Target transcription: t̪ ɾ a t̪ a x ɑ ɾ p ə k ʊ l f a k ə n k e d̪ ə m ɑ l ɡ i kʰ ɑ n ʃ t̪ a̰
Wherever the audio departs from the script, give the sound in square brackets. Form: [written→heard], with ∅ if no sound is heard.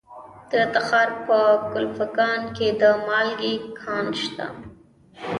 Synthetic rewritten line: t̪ ɾ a t̪ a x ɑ ɾ p ə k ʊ l f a k [ə→ɑ] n k e d̪ ə m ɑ l ɡ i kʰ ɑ n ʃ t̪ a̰